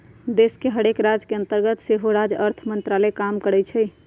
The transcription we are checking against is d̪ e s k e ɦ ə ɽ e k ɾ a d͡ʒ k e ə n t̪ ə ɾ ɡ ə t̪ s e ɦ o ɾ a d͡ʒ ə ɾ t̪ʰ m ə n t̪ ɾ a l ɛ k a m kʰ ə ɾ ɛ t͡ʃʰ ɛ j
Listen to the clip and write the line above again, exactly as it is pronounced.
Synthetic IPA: d̪ e s k e ɦ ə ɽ e k ɾ a d͡ʒ k e ə n t̪ ə ɾ ɡ ə t̪ s e ɦ o ɾ a d͡ʒ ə ɾ t̪ʰ m ə n t̪ ɾ a l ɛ k a m k ə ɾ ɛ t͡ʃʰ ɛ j